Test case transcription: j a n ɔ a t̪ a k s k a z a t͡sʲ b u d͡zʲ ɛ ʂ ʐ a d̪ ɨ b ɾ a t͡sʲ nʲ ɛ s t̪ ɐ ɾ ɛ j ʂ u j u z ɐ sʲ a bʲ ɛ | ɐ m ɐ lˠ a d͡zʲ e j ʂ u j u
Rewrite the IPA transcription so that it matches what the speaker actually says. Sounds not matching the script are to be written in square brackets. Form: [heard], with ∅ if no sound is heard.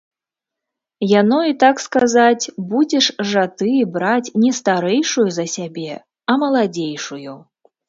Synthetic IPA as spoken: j a n ɔ [i] t̪ a k s k a z a t͡sʲ b u d͡zʲ ɛ ʂ ʐ a [t̪] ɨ b ɾ a t͡sʲ nʲ ɛ s t̪ [a] ɾ ɛ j ʂ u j u z ɐ sʲ a bʲ ɛ | ɐ m ɐ lˠ a d͡zʲ e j ʂ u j u